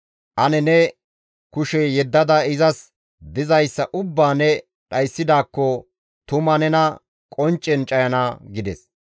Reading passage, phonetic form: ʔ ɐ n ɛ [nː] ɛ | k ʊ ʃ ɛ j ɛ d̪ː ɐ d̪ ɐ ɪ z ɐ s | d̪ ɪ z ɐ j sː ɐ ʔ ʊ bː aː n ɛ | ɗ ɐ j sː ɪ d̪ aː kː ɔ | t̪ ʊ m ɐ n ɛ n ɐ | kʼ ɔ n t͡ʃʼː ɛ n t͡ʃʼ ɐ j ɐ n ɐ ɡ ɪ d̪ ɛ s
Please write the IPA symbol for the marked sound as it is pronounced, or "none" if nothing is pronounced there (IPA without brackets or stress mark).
n